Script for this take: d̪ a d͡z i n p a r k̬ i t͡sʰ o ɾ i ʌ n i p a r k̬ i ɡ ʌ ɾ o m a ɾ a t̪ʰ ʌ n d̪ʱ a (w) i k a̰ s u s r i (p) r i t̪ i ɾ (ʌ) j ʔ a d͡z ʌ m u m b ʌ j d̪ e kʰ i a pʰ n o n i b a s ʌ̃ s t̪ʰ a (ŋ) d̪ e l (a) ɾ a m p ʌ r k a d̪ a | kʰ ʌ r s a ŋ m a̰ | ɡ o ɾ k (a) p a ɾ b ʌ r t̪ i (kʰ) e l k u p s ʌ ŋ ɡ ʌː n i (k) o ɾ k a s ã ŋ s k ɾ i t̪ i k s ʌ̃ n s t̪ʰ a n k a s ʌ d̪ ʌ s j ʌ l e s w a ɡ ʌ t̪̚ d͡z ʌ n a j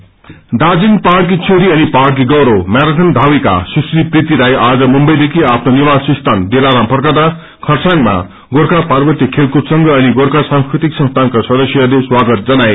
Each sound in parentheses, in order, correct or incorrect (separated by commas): correct, correct, incorrect, incorrect, correct, correct, correct, incorrect